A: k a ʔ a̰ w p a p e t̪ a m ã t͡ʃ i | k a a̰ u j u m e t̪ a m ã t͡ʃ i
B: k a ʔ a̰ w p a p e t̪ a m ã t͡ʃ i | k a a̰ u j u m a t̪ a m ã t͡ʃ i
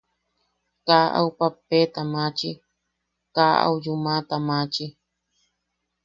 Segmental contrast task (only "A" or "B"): B